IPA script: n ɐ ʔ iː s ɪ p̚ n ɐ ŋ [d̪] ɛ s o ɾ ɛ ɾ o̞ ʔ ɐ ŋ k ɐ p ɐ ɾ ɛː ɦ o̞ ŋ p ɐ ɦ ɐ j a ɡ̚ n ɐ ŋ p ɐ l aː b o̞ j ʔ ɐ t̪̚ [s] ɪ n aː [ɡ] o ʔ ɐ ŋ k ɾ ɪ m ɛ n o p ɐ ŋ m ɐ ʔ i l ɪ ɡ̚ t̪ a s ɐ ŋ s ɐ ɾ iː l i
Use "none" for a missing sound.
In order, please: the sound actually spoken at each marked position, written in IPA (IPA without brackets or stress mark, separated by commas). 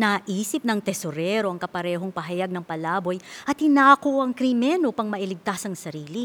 t̪, h, k